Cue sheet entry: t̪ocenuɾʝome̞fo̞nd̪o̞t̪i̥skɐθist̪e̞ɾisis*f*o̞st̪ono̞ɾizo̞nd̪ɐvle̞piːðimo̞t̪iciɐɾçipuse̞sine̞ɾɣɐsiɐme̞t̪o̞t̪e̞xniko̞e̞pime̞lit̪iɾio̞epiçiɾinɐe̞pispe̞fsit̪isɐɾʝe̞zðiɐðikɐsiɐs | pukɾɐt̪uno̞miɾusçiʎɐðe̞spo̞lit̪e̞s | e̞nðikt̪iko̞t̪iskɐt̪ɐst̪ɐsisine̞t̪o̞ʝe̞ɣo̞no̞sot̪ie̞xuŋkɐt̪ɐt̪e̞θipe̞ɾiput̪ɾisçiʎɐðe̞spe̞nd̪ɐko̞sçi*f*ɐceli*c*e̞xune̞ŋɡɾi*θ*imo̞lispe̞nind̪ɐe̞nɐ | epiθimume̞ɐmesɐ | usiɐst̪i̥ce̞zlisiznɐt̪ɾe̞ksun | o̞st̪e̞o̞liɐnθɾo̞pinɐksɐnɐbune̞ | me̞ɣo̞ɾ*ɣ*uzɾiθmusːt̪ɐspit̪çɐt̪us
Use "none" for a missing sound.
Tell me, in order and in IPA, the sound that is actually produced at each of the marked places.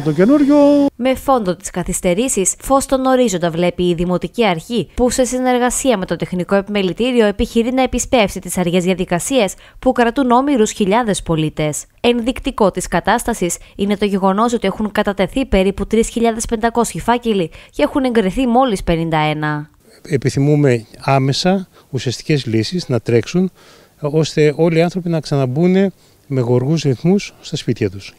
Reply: f, f, c, θ, ɣ

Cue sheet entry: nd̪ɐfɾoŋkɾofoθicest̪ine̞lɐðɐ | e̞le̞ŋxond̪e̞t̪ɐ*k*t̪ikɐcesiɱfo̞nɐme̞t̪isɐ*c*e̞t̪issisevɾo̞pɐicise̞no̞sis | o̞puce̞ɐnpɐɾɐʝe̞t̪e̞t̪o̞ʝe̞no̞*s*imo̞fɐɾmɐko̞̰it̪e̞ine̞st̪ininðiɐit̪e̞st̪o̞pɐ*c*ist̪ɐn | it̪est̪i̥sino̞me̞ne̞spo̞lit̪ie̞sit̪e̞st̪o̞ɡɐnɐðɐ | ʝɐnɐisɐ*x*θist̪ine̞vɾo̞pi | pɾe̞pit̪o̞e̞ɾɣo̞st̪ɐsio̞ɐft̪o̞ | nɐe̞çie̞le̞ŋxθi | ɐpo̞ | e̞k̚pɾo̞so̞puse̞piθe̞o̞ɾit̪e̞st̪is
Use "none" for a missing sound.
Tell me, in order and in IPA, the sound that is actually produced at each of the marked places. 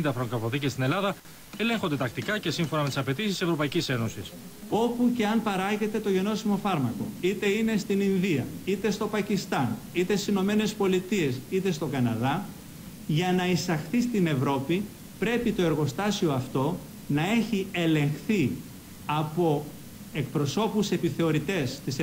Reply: k, p, s, c, x

